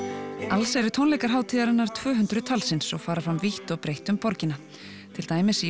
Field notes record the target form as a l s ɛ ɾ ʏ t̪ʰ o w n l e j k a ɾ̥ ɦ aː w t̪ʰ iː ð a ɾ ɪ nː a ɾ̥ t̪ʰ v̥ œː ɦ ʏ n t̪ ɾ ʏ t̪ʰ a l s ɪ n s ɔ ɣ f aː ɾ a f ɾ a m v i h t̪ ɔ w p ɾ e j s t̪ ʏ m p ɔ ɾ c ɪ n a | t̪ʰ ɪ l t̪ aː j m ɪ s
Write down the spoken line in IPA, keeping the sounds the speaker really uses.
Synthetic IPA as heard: a l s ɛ ɾ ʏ t̪ʰ o w n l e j k a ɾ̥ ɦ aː w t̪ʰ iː ð a ɾ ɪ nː a ɾ̥ t̪ʰ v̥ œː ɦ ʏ n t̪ ɾ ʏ t̪ʰ a l s ɪ n s ɔ ɣ f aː ɾ a f ɾ a m v i h t̪ ɔ ɣ p ɾ e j h t̪ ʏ m p ɔ ɾ c ɪ n a | t̪ʰ ɪ l t̪ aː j m ɪ s